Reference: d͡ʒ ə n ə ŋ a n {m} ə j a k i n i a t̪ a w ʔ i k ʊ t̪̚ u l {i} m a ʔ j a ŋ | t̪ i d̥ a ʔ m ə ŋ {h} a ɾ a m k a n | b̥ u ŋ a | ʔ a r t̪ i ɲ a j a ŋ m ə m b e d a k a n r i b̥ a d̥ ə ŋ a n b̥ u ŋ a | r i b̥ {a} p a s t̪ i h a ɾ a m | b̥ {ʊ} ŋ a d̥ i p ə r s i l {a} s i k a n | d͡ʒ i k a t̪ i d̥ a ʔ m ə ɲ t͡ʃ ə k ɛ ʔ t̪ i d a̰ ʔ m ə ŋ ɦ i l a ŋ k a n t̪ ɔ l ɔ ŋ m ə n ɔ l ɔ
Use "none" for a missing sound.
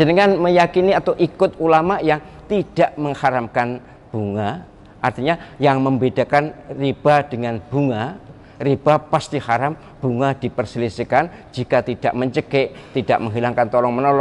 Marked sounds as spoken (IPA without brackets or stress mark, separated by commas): m, a, h, a, u, i